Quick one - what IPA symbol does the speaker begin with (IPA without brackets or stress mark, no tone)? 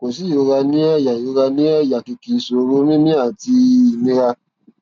k